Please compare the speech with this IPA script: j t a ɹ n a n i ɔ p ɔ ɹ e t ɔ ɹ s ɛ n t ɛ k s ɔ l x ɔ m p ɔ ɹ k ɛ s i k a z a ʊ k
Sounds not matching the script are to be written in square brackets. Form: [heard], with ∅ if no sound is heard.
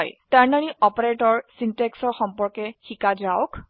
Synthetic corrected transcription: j t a ɹ n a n i ɔ p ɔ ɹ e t ɔ ɹ s [i] n t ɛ k s ɔ [ɹ] x ɔ m p ɔ ɹ k ɛ [x] i k a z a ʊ k